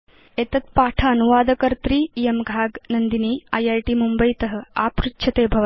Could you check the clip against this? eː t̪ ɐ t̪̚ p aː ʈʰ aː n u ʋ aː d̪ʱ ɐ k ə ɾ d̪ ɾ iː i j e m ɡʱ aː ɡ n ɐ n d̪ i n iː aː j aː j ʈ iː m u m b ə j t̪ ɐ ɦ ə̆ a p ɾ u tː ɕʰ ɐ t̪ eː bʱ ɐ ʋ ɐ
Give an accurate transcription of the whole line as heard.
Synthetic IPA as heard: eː t̪ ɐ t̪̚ p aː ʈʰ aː n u ʋ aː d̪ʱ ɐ k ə ɾ t̪ ɾ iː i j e m ɡʱ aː ɡ n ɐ n d̪ i n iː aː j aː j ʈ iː m u m b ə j t̪ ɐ ɦ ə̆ a p ɾ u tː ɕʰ ɐ t̪ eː bʱ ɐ ʋ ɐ